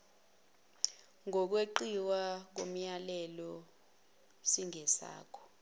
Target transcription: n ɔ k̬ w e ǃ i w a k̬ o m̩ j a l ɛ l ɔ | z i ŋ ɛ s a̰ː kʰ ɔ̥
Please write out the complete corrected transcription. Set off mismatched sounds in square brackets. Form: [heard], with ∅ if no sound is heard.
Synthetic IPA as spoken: [ŋ] ɔ k̬ w e ǃ i w a k̬ o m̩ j a l ɛ l ɔ | [s] i ŋ ɛ s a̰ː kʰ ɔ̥